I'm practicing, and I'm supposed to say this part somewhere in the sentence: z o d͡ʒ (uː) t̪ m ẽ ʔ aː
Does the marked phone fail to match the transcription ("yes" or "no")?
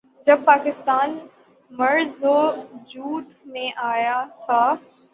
no